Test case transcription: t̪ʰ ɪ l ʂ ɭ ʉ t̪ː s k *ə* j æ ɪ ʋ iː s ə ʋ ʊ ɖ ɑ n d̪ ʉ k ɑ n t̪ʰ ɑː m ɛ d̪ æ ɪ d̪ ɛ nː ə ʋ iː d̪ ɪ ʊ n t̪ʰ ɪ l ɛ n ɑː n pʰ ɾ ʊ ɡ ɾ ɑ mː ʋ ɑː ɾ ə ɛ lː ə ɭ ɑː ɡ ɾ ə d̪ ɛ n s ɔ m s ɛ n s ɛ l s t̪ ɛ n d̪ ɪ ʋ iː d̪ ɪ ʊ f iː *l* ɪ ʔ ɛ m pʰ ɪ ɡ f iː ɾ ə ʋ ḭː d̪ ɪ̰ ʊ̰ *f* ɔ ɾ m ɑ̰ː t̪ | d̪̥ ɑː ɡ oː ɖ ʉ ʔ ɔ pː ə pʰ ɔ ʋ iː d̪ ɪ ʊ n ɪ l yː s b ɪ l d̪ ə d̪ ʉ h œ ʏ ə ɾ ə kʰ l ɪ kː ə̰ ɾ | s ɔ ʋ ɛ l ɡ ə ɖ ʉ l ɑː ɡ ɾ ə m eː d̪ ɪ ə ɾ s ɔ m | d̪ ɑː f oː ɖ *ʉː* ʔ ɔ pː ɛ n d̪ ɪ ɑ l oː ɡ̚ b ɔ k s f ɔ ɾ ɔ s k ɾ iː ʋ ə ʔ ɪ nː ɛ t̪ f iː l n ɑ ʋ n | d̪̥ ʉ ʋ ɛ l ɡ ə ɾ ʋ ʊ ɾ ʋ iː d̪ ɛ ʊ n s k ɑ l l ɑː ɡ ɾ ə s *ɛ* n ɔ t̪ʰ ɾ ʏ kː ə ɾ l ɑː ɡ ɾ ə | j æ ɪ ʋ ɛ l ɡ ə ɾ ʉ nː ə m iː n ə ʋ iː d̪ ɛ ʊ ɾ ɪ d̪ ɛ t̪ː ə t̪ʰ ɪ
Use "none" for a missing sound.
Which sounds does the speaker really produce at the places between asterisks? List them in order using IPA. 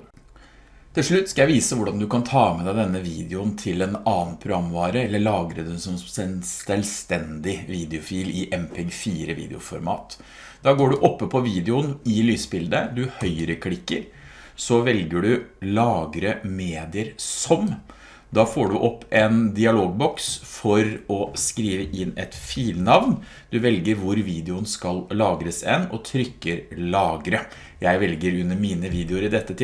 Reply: ɑ, l, f, ʉ, ɛ

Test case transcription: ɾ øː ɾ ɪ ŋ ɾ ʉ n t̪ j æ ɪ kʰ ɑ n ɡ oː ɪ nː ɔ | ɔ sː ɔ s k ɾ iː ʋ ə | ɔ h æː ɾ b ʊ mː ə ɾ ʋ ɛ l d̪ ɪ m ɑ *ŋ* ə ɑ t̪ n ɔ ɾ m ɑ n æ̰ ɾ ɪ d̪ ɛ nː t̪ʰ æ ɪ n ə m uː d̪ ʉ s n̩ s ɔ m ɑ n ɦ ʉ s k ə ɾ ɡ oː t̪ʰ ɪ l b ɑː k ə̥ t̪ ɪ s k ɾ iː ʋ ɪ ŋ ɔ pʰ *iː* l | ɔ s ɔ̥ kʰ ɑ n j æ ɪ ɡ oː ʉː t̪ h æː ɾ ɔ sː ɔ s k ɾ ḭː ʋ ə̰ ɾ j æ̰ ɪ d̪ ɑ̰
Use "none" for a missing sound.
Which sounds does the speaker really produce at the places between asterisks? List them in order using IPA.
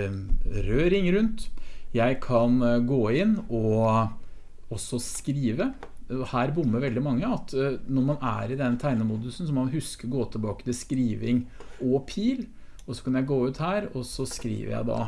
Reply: ŋː, iː

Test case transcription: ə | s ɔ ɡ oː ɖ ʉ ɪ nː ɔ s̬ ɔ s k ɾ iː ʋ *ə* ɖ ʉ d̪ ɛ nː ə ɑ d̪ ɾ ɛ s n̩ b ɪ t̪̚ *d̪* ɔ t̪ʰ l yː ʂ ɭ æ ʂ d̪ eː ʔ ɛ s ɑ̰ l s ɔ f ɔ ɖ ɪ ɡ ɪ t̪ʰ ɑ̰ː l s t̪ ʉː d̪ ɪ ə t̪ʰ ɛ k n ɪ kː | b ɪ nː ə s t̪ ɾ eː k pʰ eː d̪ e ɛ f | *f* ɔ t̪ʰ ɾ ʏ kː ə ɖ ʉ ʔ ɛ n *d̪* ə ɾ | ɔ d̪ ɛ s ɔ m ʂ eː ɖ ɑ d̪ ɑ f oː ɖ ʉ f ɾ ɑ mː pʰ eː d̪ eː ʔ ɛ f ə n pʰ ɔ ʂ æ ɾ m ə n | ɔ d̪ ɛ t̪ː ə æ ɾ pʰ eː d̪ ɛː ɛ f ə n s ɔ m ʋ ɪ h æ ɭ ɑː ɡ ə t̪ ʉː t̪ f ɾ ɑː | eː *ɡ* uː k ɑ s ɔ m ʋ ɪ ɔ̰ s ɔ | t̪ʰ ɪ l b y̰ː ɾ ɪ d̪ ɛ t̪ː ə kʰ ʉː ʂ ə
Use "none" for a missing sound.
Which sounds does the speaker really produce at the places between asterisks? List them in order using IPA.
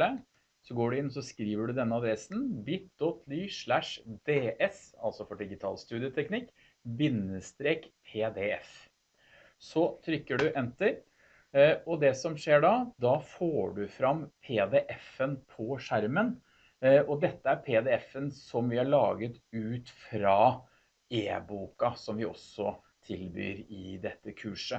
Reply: ə, d̪, s, t̪, b

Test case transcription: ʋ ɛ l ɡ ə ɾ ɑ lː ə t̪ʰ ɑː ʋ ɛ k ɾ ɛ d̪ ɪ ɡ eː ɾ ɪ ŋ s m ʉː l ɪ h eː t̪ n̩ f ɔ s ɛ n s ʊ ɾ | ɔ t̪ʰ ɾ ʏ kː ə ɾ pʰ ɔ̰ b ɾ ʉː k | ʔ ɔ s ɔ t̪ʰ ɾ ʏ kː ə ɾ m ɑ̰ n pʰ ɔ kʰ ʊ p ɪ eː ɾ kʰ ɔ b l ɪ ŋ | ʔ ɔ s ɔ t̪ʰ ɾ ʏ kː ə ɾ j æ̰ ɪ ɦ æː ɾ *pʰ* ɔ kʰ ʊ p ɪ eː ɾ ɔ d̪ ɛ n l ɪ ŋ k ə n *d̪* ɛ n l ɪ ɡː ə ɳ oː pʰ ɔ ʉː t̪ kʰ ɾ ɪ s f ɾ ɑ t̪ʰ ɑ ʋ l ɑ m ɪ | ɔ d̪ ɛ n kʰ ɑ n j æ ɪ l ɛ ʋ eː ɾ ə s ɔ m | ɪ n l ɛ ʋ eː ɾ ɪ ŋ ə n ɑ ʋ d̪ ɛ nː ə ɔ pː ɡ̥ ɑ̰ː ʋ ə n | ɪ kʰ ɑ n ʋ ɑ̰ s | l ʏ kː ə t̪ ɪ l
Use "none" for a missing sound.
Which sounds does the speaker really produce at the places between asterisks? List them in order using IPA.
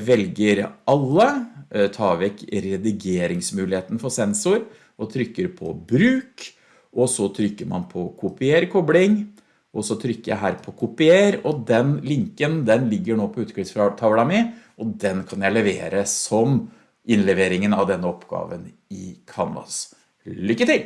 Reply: pʰ, d̪

